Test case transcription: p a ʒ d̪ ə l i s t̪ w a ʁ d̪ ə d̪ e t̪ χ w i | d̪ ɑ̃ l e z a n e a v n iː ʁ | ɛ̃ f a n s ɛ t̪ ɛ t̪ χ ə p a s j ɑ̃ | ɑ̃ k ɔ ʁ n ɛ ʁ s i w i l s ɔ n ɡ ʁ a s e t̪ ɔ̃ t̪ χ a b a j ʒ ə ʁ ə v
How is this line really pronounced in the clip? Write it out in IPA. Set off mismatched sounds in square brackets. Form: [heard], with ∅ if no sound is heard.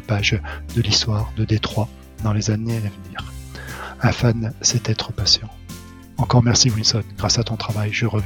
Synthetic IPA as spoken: p a ʒ d̪ ə l i s t̪ w a ʁ d̪ ə d̪ e t̪ χ w [a] | d̪ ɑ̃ l e z a n e a v n iː ʁ | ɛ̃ f a n s ɛ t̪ ɛ t̪ χ ə p a s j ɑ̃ | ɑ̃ k ɔ ʁ [m] ɛ ʁ s i w i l s ɔ n ɡ ʁ a s [a] t̪ ɔ̃ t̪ χ a [v] a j ʒ ə ʁ ə v